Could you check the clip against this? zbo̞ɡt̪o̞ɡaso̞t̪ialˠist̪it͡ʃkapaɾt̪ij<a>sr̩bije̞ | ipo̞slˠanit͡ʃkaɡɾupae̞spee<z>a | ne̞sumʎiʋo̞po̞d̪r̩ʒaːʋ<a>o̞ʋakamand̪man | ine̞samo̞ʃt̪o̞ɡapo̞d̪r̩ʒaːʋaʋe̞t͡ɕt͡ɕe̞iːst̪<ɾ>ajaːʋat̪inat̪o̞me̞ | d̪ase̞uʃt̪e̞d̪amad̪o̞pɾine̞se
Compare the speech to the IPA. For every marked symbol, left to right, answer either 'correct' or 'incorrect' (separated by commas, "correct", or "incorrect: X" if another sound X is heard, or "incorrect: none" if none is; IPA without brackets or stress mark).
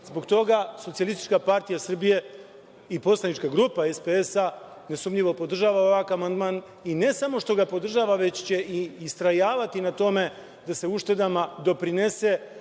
correct, incorrect: s, correct, correct